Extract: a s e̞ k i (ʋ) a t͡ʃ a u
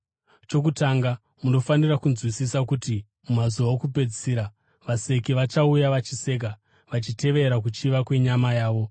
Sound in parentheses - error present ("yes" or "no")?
no